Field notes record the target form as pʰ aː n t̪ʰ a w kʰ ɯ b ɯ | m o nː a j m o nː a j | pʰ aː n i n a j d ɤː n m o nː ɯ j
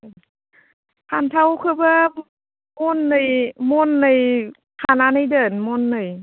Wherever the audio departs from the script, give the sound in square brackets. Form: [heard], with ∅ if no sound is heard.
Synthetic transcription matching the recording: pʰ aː n t̪ʰ a w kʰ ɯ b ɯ | m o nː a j m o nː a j | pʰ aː n [a] n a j d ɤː n m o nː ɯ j